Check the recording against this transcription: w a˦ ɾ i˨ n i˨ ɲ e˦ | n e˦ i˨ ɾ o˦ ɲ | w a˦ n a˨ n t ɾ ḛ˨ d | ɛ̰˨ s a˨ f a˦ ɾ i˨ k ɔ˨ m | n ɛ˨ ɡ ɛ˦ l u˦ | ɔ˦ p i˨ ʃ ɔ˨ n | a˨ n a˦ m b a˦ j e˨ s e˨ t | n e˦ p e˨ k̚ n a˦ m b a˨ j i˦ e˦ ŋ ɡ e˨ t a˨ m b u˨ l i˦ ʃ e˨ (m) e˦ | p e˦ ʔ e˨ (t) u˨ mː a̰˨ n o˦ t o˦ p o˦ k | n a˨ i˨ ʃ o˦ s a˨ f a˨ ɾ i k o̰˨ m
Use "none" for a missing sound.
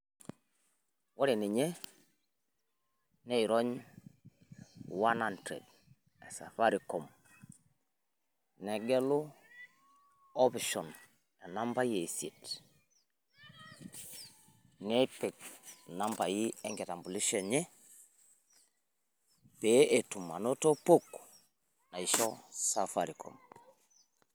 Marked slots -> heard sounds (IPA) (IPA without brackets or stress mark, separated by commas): ɲ, t